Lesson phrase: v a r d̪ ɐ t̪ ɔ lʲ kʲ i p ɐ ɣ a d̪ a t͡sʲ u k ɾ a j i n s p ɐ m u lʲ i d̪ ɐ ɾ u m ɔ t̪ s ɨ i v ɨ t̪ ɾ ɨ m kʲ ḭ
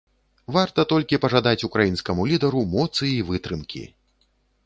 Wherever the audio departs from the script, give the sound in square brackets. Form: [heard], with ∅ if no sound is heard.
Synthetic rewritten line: v a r [t̪] ɐ t̪ ɔ lʲ kʲ i p ɐ [ʐ] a d̪ a t͡sʲ u k ɾ a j i n s [k] ɐ m u lʲ i d̪ ɐ ɾ u m ɔ t̪ s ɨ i v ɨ t̪ ɾ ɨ m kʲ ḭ